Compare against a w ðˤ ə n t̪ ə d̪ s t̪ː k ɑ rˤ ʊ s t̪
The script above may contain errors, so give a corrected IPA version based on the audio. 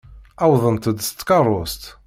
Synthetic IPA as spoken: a w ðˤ ə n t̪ ə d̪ s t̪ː k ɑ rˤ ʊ s t̪